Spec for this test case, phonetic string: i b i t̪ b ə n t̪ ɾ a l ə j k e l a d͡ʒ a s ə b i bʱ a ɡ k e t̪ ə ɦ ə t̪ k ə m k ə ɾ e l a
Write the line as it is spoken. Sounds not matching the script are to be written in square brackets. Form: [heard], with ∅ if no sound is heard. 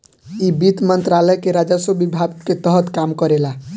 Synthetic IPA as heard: i b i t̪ [m] ə n t̪ ɾ a l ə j k e [ɾ] a d͡ʒ a s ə b i bʱ a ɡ k e t̪ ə ɦ ə t̪ k [a] m k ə ɾ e l a